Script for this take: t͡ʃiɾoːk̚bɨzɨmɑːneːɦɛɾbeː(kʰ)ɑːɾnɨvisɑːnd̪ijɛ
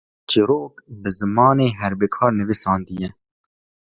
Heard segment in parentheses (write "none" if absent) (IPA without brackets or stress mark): kʰ